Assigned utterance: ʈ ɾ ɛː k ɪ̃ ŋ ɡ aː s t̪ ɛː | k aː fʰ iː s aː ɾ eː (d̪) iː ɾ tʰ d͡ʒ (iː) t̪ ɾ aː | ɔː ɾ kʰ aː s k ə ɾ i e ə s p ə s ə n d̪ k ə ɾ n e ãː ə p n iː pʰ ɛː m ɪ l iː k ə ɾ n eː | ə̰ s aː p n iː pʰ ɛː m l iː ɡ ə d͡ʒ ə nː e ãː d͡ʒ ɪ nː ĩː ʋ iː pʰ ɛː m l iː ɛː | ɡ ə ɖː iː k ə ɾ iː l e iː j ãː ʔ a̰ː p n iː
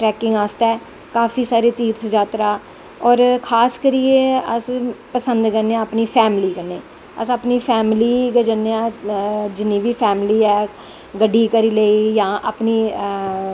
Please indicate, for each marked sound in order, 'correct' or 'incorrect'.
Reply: incorrect: t̪, incorrect: aː

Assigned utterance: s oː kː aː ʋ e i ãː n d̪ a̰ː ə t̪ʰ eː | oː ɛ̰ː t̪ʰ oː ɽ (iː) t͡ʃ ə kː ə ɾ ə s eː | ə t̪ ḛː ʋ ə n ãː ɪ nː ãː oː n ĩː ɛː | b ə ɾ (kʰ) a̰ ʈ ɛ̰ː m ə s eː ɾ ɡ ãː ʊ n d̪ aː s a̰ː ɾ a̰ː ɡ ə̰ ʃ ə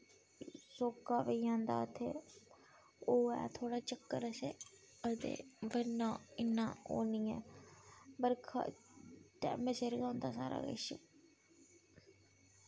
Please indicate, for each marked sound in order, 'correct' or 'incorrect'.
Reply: incorrect: aː, correct

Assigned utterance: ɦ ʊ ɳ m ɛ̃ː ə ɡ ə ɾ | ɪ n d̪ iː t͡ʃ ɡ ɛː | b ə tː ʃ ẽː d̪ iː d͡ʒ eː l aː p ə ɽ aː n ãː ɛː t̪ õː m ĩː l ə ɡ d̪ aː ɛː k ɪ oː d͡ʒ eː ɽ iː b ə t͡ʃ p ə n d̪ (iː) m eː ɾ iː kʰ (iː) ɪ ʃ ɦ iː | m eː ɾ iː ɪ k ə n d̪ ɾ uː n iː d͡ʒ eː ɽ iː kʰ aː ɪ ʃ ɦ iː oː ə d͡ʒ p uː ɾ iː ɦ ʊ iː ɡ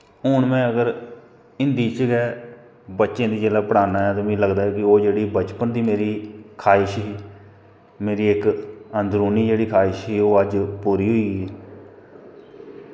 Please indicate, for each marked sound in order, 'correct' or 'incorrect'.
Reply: correct, incorrect: aː

